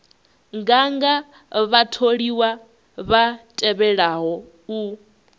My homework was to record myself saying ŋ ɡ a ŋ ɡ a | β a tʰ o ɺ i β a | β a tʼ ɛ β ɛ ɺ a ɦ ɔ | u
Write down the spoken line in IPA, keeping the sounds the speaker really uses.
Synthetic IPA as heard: ŋ ɡ a ŋ ɡ a | β a tʰ o ɺ i w a | β a tʼ ɛ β ɛ ɺ a ɦ ɔ | u